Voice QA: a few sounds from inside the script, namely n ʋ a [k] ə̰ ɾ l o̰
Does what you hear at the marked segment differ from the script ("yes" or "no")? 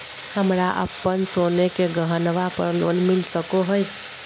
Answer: yes